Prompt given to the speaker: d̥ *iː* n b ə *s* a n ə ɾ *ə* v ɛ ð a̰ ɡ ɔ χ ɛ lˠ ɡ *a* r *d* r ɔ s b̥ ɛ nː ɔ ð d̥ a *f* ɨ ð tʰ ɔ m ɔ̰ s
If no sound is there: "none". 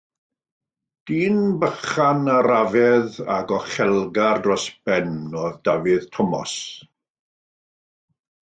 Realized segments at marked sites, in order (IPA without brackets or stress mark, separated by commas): iː, χ, a, a, d, v